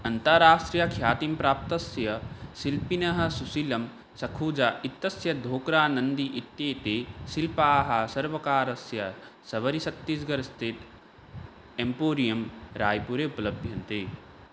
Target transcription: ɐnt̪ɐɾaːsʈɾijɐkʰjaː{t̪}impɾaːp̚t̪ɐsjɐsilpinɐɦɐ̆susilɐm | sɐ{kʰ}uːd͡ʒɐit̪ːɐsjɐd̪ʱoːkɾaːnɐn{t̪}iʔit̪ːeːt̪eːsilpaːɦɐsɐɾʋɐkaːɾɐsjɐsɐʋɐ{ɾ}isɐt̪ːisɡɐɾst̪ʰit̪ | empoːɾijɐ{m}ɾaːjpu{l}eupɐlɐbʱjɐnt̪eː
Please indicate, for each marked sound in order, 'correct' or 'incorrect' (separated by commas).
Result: correct, correct, incorrect, correct, correct, incorrect